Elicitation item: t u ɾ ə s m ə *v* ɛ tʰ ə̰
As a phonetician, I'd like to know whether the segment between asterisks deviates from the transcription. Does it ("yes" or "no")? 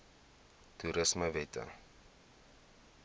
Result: no